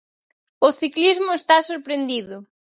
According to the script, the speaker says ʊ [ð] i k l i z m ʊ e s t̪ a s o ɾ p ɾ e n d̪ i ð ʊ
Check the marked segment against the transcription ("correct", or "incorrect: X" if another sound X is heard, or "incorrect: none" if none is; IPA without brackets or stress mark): incorrect: θ